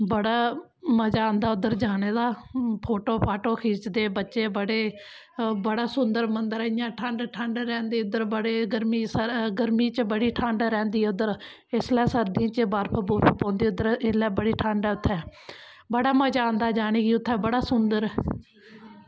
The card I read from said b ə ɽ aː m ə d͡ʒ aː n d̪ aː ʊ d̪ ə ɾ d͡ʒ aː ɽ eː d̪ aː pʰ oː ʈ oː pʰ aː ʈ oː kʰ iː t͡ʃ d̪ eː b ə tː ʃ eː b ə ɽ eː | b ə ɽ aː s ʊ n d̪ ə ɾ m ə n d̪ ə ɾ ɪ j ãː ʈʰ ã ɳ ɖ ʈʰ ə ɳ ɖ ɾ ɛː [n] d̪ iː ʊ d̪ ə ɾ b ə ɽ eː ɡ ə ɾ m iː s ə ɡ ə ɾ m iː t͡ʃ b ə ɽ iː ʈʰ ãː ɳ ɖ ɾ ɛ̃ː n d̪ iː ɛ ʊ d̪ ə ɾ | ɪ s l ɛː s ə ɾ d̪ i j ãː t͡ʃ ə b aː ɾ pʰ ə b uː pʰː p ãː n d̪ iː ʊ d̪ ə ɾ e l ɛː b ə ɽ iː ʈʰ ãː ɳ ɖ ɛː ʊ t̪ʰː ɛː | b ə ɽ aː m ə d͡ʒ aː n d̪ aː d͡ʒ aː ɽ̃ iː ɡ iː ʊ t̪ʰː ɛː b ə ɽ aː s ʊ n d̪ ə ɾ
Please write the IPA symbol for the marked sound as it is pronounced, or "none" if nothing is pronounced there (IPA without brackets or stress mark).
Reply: n